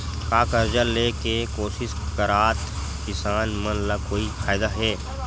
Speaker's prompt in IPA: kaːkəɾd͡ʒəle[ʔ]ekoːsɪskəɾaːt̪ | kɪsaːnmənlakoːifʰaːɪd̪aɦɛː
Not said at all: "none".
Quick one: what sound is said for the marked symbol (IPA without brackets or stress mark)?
k